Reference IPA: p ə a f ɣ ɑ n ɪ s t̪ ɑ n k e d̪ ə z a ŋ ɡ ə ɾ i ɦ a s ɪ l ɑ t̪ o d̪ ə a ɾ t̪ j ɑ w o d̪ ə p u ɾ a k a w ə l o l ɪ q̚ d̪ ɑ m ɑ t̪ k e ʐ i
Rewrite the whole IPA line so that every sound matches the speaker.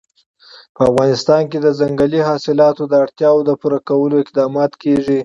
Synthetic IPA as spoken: p ə a f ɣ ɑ n ɪ s t̪ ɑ n k e d̪ ə z a ŋ ɡ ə l i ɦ ɑ s ɪ l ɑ t̪ o d̪ ə a ɽ t̪ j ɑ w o d̪ ə p u ɾ a k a w ə l o ɪ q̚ d̪ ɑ m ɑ t̪ k e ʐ i